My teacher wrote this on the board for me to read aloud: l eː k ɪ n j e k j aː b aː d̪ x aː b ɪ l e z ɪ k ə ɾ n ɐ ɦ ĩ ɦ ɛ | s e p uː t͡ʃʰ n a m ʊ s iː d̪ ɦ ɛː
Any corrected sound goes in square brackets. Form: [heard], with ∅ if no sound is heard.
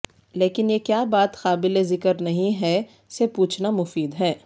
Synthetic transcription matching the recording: l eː k ɪ n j e k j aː b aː [t̪] x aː b ɪ l e z ɪ k ə ɾ n ɐ ɦ ĩ ɦ ɛ | s e p uː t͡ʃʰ n a m ʊ [f] iː d̪ ɦ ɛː